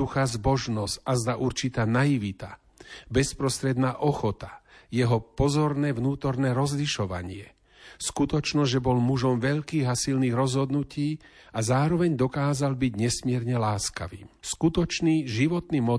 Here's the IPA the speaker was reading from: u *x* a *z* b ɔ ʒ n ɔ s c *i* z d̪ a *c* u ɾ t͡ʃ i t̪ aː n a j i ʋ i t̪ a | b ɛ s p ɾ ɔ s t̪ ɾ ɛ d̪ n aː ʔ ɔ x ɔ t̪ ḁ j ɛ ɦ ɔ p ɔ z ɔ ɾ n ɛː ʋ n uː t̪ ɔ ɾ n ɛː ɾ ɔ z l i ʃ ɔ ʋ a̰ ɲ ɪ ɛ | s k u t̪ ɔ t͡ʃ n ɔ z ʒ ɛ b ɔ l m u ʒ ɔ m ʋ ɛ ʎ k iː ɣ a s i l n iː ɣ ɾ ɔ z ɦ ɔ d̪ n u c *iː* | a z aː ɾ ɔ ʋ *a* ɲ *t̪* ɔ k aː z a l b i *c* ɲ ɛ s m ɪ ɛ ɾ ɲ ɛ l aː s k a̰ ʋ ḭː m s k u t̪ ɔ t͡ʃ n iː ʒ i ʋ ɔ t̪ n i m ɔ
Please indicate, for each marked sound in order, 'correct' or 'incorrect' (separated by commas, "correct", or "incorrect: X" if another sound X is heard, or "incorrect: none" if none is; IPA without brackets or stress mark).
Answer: correct, correct, incorrect: a, incorrect: ʔ, correct, incorrect: ɛ, incorrect: d̪, incorrect: ɟ